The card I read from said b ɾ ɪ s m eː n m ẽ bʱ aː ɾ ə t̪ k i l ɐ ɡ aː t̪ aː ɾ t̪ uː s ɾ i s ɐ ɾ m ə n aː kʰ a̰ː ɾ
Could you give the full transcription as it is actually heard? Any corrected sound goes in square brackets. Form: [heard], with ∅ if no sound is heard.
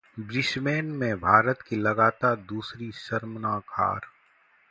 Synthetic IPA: b ɾ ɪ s m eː n m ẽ bʱ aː ɾ ə t̪ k i l ɐ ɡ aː t̪ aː ɾ [d̪] uː s ɾ i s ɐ ɾ m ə n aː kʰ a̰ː ɾ